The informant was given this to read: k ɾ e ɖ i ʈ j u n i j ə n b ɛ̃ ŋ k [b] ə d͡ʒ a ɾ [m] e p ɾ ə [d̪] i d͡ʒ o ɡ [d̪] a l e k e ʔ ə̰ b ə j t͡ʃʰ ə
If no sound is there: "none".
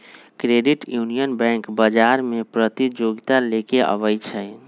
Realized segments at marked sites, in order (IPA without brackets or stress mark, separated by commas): b, m, t̪, t̪